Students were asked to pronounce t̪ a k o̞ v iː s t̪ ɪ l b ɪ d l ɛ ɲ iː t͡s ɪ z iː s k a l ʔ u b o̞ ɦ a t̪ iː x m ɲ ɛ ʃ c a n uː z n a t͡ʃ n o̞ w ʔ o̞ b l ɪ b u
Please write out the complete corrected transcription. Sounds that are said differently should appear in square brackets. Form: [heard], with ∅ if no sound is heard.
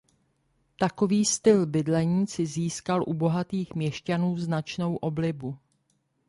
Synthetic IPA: t̪ a k o̞ v iː s t̪ ɪ l b ɪ d l ɛ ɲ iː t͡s ɪ z iː s k a l ʔ u b o̞ ɦ a t̪ iː x m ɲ ɛ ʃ c a n uː z n a t͡ʃ n o̞ w ʔ o̞ b l ɪ b u